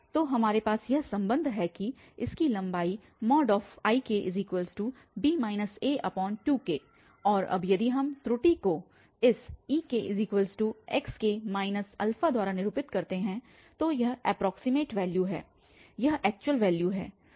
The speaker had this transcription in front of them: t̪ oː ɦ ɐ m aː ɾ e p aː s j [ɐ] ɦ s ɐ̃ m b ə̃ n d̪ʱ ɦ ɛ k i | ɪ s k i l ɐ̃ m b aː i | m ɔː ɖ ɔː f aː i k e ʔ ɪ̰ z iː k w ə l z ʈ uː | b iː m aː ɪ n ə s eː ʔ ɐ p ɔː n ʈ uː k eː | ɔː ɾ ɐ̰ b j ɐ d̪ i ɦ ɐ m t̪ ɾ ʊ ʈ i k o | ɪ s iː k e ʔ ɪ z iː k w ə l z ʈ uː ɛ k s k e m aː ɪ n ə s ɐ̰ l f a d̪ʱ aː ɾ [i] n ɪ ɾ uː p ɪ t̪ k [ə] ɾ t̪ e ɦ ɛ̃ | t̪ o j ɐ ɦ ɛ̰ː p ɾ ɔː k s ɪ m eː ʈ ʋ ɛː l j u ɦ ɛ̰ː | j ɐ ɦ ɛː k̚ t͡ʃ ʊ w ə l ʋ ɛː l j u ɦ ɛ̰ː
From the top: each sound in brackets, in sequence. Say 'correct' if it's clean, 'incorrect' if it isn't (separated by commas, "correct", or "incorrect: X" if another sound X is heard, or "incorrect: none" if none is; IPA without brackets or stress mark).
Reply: correct, incorrect: a, incorrect: ɐ